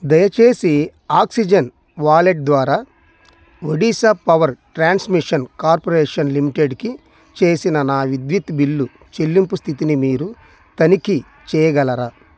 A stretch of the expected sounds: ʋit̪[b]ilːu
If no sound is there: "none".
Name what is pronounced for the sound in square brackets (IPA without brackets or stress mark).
b